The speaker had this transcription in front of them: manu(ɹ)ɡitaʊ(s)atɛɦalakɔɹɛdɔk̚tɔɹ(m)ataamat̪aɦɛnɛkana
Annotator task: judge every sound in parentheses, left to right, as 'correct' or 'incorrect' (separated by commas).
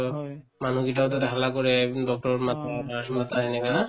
incorrect, incorrect, correct